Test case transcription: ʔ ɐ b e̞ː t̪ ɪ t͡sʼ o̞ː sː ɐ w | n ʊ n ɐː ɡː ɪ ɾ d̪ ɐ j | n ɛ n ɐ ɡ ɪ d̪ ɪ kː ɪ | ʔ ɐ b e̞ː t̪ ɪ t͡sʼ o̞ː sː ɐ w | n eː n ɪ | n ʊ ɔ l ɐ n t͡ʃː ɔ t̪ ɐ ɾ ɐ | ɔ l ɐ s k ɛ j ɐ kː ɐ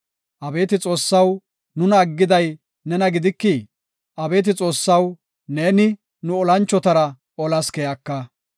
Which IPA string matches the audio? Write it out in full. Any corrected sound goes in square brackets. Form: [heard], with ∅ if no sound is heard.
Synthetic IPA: ʔ ɐ b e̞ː t̪ ɪ t͡sʼ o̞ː sː ɐ w | n ʊ n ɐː ɡː ɪ [∅] d̪ ɐ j | n ɛ n ɐ ɡ ɪ d̪ ɪ kː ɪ | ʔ ɐ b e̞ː t̪ ɪ t͡sʼ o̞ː sː ɐ w | n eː n ɪ | n ʊ ɔ l ɐ n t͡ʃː ɔ t̪ ɐ ɾ ɐ | ɔ l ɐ s k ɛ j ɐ kː ɐ